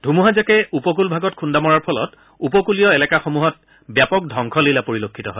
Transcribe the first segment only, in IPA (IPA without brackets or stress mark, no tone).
dʱ